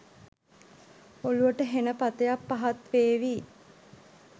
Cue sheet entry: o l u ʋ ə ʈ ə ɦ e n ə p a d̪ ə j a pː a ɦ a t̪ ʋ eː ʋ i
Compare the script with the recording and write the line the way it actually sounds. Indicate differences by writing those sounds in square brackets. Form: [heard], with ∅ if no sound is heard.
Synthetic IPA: o l u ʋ ə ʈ ə ɦ e n ə p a [t̪] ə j a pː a ɦ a t̪ ʋ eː ʋ i